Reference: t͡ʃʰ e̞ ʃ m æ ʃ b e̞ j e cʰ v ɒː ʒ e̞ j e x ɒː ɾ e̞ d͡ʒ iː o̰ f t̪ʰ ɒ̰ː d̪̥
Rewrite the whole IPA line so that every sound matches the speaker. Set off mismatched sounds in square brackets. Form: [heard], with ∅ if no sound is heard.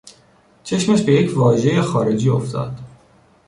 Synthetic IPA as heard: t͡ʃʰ e̞ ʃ m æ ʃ b e̞ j e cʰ v ɒː ʒ e̞ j e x ɒː ɾ e̞ d͡ʒ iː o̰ f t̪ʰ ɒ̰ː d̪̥